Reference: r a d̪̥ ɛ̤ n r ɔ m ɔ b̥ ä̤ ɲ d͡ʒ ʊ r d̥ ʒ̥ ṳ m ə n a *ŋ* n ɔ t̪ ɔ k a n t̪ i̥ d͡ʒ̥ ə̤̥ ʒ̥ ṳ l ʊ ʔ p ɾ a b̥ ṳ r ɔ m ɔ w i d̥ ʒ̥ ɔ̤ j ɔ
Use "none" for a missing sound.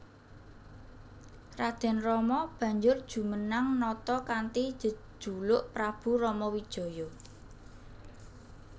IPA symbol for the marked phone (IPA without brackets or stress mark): ŋ